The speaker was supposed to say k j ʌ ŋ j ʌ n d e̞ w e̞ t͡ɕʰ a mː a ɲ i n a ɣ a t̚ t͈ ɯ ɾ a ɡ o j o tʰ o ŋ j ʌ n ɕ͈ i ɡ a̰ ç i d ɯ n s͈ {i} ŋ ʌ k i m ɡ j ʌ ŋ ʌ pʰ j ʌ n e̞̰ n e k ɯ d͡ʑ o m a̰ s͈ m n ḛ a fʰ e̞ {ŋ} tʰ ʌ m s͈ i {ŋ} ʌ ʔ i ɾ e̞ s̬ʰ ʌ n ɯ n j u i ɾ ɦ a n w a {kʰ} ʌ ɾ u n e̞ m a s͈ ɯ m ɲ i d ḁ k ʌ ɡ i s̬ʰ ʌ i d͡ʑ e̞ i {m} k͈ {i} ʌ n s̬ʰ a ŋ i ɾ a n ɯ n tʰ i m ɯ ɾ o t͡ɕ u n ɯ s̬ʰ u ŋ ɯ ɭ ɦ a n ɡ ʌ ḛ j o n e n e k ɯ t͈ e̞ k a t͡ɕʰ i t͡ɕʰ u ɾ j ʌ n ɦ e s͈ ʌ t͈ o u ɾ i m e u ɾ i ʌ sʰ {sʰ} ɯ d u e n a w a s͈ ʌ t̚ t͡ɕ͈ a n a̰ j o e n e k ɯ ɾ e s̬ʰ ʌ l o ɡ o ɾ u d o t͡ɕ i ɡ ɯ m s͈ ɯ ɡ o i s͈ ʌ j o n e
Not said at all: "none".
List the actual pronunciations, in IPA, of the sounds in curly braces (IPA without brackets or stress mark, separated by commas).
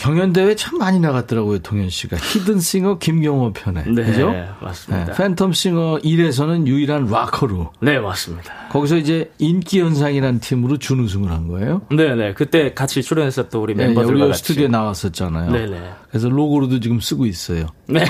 i, n, ŋ, kʰ, n, i, tʰ